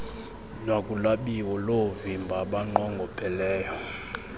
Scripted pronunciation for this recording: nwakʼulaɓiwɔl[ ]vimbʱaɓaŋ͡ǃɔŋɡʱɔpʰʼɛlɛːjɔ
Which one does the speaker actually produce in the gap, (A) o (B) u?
A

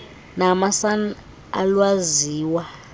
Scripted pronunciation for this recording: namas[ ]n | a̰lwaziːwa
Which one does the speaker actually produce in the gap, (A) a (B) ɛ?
A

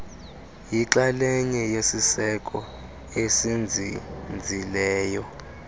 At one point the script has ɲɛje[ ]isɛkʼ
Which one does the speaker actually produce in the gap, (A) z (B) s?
B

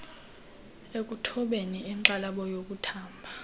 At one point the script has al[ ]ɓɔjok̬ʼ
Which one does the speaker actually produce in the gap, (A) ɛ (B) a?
B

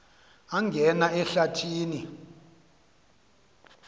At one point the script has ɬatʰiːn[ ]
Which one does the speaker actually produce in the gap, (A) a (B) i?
B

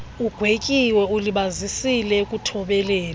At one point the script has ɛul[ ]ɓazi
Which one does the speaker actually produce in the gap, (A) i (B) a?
A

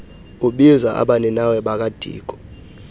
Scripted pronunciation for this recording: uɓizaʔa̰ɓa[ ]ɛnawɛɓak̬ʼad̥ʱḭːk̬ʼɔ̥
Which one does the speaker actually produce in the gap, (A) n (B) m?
A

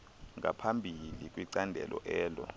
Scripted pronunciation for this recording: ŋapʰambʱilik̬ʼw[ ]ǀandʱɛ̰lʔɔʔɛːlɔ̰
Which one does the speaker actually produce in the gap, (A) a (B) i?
B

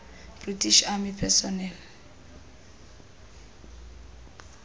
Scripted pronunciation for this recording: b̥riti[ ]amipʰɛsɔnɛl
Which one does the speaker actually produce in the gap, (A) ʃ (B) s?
A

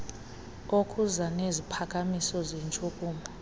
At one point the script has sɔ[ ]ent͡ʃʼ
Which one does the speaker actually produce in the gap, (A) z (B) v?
A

